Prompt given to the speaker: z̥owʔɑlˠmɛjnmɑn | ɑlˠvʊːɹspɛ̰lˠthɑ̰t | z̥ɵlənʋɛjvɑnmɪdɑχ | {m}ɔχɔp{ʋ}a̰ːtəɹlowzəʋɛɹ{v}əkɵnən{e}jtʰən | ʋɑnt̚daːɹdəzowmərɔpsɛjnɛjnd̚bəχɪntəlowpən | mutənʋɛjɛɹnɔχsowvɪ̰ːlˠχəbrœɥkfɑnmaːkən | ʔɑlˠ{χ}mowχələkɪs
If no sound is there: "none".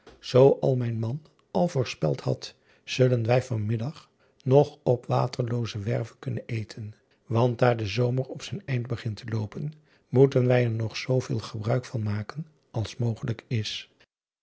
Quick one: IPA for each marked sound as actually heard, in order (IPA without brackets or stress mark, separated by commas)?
n, ʋ, v, e, s